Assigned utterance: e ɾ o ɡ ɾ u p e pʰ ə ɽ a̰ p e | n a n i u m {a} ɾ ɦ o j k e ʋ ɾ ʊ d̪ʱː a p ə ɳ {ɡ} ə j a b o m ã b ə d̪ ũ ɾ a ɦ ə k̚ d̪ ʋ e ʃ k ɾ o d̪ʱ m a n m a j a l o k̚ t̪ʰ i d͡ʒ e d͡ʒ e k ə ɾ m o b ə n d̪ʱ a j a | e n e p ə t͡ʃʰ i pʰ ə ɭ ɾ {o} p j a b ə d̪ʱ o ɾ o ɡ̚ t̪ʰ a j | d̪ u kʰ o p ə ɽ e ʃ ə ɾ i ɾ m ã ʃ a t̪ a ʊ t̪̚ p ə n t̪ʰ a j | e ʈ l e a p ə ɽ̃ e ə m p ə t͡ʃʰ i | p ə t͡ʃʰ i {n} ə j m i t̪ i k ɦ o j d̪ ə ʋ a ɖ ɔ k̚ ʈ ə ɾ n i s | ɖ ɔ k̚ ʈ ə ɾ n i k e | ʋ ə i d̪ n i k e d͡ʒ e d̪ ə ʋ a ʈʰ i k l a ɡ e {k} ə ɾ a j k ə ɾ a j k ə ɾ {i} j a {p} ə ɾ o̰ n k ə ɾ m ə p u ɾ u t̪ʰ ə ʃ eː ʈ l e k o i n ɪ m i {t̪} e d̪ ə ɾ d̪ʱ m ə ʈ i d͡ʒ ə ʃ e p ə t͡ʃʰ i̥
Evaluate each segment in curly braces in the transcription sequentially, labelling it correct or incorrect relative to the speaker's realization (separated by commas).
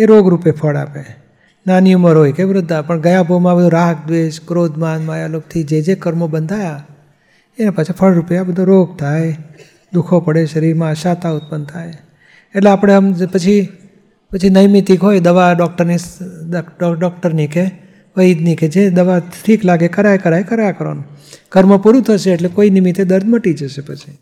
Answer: incorrect, correct, incorrect, correct, correct, incorrect, incorrect, correct